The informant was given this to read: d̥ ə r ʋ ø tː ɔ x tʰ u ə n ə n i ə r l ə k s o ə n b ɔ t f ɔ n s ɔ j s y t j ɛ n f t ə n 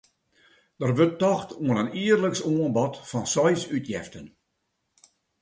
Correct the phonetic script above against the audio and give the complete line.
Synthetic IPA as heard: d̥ ə r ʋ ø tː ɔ x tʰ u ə n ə n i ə r l ə k s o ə n b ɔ t f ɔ n s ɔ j s y t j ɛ f t ə n